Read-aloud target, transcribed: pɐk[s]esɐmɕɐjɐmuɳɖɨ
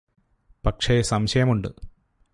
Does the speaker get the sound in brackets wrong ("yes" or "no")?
yes